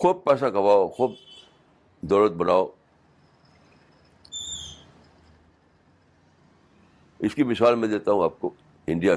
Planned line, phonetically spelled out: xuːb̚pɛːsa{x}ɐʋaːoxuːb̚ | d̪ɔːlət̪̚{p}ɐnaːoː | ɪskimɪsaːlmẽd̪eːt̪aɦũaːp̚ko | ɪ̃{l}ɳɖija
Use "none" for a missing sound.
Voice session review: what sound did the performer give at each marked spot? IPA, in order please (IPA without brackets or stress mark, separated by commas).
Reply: k, b, none